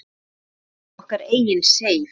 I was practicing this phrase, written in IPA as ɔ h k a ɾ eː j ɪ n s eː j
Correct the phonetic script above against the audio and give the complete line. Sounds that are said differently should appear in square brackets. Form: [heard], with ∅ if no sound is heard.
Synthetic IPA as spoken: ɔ h k a ɾ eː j ɪ n s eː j